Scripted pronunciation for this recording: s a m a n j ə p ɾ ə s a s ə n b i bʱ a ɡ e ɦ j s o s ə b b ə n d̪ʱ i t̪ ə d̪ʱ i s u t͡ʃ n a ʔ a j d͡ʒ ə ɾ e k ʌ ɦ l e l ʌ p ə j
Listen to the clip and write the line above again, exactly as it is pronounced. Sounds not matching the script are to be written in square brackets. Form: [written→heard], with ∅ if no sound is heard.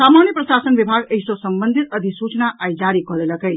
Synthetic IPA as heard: s a m a n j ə p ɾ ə s a s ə n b i bʱ a ɡ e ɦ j s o s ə [b→m] b ə n d̪ʱ i t̪ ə d̪ʱ i s u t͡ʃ n a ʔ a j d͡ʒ [ə→a] ɾ [e→i] k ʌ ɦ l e l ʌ [p→k] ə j